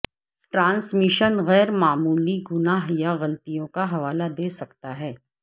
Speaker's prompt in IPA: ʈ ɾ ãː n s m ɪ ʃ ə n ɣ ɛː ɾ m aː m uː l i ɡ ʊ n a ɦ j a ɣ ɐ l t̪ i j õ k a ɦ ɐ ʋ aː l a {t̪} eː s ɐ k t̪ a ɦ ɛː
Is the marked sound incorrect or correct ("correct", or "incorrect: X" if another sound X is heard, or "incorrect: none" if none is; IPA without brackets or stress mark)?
incorrect: d̪